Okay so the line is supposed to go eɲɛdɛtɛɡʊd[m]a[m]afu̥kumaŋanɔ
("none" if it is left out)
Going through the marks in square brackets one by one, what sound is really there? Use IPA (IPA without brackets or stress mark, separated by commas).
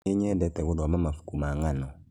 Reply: m, m